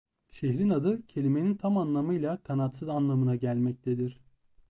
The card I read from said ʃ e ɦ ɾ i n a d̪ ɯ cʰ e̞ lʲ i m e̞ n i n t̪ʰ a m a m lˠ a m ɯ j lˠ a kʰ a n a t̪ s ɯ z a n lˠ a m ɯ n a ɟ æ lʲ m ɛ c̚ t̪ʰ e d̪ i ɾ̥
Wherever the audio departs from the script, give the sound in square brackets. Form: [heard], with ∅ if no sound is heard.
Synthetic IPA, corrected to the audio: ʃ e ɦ ɾ i n a d̪ ɯ cʰ e̞ lʲ i m e̞ n i n t̪ʰ a m a [n] lˠ a m ɯ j lˠ a kʰ a n a t̪ s ɯ z a n lˠ a m ɯ n a ɟ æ lʲ m ɛ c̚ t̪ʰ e d̪ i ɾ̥